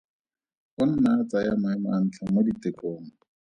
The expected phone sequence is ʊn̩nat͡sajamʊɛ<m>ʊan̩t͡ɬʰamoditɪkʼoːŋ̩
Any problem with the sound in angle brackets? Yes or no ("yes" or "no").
no